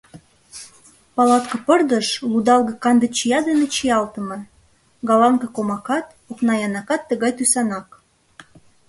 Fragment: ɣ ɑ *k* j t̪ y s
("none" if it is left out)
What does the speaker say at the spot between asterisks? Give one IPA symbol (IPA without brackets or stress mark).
none